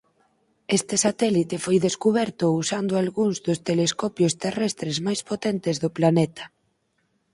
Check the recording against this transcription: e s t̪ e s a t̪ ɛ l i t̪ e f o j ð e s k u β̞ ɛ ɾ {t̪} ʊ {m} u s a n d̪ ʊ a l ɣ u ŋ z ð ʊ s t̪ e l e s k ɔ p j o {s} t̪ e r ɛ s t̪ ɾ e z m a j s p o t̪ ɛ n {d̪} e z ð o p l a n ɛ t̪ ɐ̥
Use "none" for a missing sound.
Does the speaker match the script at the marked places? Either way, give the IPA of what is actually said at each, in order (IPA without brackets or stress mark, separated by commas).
t̪, none, s, t̪